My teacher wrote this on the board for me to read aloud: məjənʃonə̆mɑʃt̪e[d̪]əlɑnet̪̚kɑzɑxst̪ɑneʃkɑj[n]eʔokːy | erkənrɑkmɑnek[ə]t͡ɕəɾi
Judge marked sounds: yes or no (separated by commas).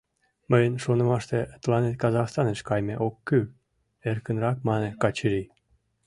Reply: no, no, no